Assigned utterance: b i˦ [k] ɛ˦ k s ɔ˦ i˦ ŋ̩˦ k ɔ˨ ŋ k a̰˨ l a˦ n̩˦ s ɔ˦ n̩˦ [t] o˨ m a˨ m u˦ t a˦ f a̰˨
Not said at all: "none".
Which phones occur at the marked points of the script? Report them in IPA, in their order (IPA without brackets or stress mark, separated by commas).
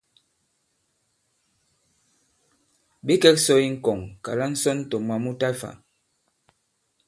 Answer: k, t